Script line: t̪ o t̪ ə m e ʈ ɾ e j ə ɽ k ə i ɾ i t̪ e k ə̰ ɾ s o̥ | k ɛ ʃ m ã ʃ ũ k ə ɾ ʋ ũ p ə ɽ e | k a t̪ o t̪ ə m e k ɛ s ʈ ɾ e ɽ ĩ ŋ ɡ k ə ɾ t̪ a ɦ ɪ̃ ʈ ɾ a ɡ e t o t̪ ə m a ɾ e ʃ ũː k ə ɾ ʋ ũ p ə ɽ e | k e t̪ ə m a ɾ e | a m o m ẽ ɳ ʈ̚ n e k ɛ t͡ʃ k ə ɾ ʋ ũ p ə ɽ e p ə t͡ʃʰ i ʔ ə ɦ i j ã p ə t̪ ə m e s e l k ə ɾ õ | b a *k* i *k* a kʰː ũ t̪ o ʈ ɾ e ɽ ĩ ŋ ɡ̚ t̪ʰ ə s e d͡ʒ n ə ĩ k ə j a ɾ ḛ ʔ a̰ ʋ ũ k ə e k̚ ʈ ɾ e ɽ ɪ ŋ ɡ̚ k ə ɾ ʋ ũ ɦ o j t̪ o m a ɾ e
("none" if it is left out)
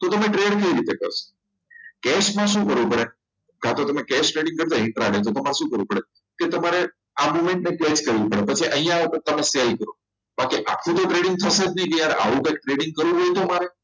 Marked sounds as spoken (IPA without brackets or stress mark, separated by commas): k, ʔ